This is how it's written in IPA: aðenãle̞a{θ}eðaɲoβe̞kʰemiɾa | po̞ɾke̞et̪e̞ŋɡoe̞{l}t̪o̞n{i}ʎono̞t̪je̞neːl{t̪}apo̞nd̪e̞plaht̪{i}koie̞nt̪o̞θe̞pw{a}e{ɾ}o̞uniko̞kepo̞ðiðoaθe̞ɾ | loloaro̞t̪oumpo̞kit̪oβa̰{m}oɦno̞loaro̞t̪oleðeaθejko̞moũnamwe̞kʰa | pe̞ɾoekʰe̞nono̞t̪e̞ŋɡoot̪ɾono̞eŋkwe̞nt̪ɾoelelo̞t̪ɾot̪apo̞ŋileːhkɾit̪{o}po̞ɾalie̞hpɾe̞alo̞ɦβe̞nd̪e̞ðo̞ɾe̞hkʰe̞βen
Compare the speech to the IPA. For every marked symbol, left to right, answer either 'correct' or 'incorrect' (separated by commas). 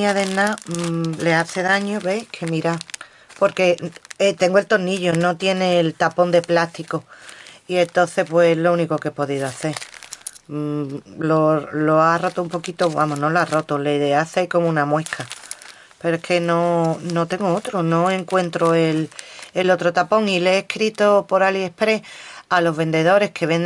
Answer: correct, correct, correct, correct, correct, incorrect, incorrect, correct, correct